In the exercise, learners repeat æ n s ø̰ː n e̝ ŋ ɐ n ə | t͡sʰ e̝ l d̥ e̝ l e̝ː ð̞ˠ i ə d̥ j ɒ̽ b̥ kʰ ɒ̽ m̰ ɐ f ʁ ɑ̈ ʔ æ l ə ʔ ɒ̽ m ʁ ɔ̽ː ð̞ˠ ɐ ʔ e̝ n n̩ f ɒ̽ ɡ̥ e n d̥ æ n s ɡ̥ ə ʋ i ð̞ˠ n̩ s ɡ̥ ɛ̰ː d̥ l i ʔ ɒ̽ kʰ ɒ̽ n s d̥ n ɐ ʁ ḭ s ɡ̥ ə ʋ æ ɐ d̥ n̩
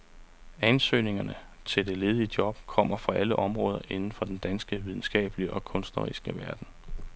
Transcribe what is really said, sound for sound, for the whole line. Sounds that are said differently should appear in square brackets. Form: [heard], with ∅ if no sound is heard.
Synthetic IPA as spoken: æ n s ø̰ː n e̝ ŋ ɐ n ə | t͡sʰ e̝ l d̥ e̝ l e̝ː ð̞ˠ i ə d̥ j ɒ̽ b̥ kʰ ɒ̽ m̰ ɐ f ʁ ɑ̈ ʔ æ l ə ʔ ɒ̽ m ʁ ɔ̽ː ð̞ˠ ɐ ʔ e̝ n n̩ f ɒ̽ [d̥] e n d̥ æ n s ɡ̥ ə ʋ i ð̞ˠ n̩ s ɡ̥ ɛ̰ː [b̥] l i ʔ ɒ̽ kʰ [ɔ̽] n s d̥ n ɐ ʁ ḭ s ɡ̥ ə ʋ æ ɐ d̥ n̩

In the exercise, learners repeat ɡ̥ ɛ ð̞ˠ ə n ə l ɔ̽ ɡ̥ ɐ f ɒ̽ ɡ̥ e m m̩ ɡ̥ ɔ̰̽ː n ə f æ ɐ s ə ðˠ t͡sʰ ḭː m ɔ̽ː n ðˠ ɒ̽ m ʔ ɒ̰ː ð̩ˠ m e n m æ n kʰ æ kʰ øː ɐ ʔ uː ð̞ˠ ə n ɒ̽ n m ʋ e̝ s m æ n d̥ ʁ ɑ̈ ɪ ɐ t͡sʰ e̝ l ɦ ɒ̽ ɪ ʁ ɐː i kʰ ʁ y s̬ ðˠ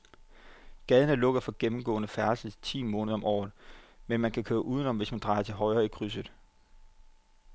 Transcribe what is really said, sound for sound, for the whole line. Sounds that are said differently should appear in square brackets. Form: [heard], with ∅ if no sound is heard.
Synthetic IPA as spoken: ɡ̥ ɛ ð̞ˠ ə n ə l ɔ̽ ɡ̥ ɐ f ɒ̽ ɡ̥ e m m̩ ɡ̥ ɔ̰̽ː n ə f æ ɐ s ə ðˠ t͡sʰ ḭː m ɔ̽ː n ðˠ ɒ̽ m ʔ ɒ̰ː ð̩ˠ m e n m æ n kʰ æ kʰ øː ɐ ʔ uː ð̞ˠ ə n ɒ̽ [∅] m ʋ e̝ s m æ n d̥ ʁ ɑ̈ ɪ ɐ t͡sʰ e̝ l ɦ ɒ̽ ɪ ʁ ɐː i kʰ ʁ y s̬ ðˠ

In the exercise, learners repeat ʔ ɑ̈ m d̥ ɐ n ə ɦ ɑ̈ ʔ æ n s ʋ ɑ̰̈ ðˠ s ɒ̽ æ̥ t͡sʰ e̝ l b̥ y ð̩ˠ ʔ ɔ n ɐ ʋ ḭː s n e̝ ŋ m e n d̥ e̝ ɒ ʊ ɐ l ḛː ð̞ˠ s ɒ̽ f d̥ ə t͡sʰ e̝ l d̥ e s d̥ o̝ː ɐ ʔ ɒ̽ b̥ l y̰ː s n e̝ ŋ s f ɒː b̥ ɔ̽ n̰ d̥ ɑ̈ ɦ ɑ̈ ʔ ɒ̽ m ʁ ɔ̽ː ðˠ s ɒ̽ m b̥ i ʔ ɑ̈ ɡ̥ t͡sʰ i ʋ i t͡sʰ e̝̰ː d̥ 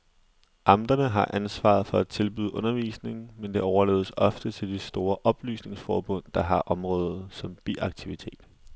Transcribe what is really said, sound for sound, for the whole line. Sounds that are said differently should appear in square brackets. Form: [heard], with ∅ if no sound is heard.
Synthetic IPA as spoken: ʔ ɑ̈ m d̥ ɐ n ə ɦ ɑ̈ ʔ æ n s ʋ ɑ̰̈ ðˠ [f] ɒ̽ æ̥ t͡sʰ e̝ l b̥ y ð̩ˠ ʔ ɔ n ɐ ʋ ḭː s n e̝ ŋ m e n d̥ e̝ ɒ ʊ ɐ l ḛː ð̞ˠ s ɒ̽ f d̥ ə t͡sʰ e̝ l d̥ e s d̥ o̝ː ɐ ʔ ɒ̽ b̥ l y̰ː s n e̝ ŋ s f ɒː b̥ ɔ̽ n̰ d̥ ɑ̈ ɦ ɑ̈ ʔ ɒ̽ m ʁ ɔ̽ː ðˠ s ɒ̽ m b̥ i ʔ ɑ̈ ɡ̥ t͡sʰ i ʋ i t͡sʰ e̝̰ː d̥

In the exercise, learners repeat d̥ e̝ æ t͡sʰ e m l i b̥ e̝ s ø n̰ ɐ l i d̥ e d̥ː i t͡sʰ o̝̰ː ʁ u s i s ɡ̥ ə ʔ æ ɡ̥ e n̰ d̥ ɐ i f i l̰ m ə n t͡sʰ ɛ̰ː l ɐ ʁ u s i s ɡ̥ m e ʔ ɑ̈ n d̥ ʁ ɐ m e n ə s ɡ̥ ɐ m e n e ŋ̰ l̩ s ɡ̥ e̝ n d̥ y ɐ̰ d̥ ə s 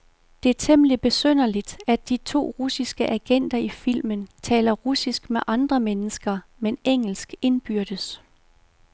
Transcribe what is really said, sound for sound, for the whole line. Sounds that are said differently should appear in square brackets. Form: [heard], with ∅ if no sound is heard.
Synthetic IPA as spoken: d̥ e̝ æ t͡sʰ e m l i b̥ e̝ s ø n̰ ɐ l i d̥ [æ] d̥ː i t͡sʰ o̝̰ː ʁ u s i s ɡ̥ ə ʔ æ ɡ̥ e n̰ d̥ ɐ i f i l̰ m ə n t͡sʰ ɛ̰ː l ɐ ʁ u s i s ɡ̥ m e ʔ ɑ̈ n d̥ ʁ ɐ m e n ə s ɡ̥ ɐ m e n e ŋ̰ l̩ s ɡ̥ e̝ n [b̥] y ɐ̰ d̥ ə s

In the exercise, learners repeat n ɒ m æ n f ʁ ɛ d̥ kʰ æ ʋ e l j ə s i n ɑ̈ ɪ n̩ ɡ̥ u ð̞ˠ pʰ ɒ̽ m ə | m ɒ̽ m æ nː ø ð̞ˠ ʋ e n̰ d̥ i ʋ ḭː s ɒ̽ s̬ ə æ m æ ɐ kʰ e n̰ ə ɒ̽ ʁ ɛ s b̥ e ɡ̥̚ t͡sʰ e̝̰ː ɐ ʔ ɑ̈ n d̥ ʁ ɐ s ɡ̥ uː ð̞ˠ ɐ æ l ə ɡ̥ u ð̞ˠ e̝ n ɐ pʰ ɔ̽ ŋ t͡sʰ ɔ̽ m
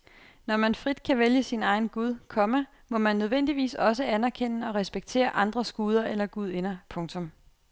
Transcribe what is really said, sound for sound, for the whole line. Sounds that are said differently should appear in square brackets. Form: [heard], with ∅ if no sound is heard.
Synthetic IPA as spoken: n ɒ m æ n f ʁ [i] d̥ kʰ æ ʋ e l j ə s i n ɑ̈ ɪ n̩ ɡ̥ u ð̞ˠ [kʰ] ɒ̽ m ə | m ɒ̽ m æ nː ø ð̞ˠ ʋ e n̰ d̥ i ʋ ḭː s ɒ̽ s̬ ə æ [n] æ ɐ kʰ e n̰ ə ɒ̽ ʁ ɛ s b̥ e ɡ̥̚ t͡sʰ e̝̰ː ɐ ʔ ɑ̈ n d̥ ʁ ɐ s ɡ̥ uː ð̞ˠ ɐ [e] l [ɐ] ɡ̥ u ð̞ˠ e̝ n ɐ pʰ ɔ̽ ŋ t͡sʰ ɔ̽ m

